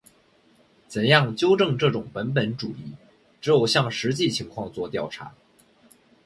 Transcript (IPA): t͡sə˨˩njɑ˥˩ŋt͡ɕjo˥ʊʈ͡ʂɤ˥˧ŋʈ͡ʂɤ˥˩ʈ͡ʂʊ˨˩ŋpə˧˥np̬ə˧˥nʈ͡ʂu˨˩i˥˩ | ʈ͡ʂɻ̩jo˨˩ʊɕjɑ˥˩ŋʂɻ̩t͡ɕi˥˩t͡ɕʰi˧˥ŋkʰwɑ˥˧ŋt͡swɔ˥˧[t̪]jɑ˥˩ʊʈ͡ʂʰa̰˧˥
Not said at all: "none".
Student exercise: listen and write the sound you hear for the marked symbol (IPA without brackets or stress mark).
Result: t̪